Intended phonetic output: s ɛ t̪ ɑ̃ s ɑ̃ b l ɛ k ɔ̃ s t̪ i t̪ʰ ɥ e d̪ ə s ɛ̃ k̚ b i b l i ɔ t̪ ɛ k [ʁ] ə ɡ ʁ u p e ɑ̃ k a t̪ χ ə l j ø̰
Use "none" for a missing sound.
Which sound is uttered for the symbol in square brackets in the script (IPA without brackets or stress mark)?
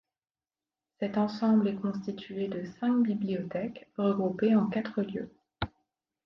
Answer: ʁ